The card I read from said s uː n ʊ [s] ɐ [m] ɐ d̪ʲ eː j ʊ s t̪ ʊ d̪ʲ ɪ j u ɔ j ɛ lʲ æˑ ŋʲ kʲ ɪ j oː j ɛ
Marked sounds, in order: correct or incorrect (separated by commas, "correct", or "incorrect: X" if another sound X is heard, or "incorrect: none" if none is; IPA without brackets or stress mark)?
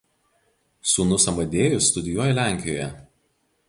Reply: correct, correct